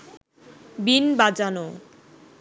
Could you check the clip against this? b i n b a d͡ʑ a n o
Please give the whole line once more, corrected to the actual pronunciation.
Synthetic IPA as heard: b i n b a d͡ʑ a n o